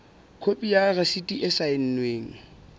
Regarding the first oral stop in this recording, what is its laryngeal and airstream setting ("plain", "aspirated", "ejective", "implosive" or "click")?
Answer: aspirated